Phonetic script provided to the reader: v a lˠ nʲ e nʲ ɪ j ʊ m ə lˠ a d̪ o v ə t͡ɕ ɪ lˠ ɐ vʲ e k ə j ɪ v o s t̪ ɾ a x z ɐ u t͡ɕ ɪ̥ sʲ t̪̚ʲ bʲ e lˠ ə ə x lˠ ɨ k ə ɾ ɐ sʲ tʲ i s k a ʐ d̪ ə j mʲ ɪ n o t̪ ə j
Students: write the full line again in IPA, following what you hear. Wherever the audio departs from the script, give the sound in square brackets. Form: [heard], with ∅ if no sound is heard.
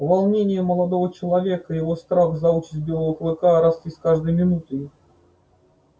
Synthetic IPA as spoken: v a lˠ nʲ e nʲ ɪ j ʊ m ə lˠ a d̪ o v ə t͡ɕ ɪ lˠ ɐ vʲ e k ə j ɪ v o s t̪ ɾ a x z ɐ u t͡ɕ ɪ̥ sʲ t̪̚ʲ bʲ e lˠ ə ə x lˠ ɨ k [a] ɾ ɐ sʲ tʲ i s k a ʐ d̪ ə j mʲ ɪ n [u] t̪ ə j